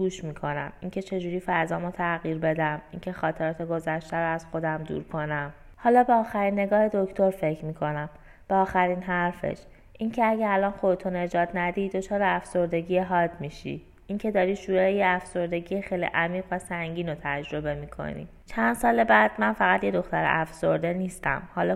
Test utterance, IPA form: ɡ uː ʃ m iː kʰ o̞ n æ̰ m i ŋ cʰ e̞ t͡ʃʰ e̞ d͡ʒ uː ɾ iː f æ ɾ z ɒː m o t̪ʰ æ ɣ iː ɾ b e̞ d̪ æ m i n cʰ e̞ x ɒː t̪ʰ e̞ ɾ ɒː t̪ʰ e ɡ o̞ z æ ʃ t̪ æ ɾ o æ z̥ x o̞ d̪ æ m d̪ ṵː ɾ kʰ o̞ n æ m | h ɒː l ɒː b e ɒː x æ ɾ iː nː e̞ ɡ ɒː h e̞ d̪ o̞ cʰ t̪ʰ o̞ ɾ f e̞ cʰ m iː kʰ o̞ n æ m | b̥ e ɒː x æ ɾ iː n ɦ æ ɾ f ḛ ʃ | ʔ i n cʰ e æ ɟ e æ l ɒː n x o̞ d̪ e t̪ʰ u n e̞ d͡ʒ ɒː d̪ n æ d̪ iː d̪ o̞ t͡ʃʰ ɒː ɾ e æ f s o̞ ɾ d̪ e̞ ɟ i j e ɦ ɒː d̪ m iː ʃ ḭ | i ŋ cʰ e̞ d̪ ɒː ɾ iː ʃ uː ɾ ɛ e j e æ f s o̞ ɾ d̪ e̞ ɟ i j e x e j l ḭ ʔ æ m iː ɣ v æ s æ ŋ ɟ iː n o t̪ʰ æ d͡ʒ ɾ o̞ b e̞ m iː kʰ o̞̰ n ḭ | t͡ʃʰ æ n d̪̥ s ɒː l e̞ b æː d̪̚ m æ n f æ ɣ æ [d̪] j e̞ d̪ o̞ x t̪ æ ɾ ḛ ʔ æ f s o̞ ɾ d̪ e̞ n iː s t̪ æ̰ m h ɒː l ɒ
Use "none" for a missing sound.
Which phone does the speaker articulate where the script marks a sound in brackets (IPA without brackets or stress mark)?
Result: t̪